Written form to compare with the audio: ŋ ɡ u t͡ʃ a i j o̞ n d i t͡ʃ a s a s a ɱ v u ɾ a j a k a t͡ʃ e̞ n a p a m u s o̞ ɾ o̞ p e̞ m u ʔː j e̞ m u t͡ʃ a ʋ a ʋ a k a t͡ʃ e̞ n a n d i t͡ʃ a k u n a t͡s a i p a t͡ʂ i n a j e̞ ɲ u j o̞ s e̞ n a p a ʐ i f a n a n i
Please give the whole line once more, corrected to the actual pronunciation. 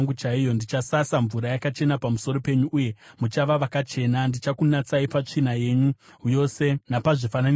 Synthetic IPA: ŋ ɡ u t͡ʃ a i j o̞ n d i t͡ʃ a s a s a ɱ v u ɾ a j a k a t͡ʃ e̞ n a p a m u s o̞ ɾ o̞ p e̞ ɲ u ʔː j e̞ m u t͡ʃ a ʋ a ʋ a k a t͡ʃ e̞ n a n d i t͡ʃ a k u n a t͡s a i p a t͡ʂ i n a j e̞ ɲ u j o̞ s e̞ n a p a ʐ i f a n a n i